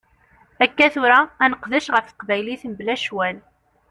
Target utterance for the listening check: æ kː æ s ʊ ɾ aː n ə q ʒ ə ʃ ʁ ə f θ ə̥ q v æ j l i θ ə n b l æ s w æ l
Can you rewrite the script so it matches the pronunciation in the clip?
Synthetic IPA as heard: æ kː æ θ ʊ ɾ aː n ə q ð ə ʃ ʁ ə f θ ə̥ q v æ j l i θ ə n b l æ ʃ w æ l